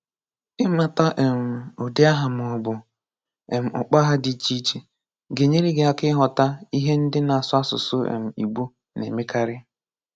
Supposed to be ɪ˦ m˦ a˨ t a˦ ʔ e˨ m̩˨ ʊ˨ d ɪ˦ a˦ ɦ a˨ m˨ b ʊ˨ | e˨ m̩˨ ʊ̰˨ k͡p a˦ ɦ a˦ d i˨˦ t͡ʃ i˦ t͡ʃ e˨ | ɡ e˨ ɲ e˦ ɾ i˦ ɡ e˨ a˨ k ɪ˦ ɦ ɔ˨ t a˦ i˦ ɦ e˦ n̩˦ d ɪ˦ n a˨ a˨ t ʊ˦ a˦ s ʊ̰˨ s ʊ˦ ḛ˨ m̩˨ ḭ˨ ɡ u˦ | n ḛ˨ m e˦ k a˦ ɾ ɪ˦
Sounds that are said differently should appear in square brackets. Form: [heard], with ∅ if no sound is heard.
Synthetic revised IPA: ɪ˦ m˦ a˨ t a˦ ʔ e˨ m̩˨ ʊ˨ d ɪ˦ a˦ ɦ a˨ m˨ b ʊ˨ | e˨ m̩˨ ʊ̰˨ k͡p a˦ ɦ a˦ d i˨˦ t͡ʃ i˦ t͡ʃ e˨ | ɡ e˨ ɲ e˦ ɾ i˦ ɡ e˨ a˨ k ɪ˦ ɦ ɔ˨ t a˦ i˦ ɦ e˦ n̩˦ d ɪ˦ n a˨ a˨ [s] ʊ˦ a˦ s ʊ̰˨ s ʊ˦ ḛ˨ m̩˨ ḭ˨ [ɡ͡b] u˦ | n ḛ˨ m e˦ k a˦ ɾ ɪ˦